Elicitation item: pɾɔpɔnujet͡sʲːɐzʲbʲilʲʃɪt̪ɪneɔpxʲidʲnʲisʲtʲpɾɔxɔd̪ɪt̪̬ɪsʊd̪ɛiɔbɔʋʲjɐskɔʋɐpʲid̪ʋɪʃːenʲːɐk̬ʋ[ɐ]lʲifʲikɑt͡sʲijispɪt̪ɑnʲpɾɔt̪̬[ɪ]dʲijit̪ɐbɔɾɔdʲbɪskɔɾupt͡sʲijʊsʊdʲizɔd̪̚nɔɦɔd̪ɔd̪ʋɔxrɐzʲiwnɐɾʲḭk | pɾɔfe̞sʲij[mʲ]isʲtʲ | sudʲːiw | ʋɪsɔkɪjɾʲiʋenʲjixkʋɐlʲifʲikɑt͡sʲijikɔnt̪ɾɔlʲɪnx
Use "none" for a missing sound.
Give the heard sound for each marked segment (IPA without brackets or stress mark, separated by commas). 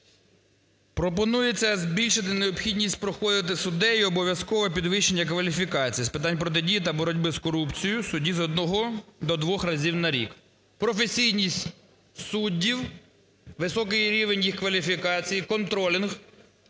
ɐ, ɪ, nʲ